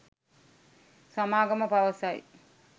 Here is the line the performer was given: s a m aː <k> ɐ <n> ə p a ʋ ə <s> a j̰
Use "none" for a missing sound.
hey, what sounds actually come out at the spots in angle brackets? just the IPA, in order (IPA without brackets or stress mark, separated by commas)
ɡ, m, s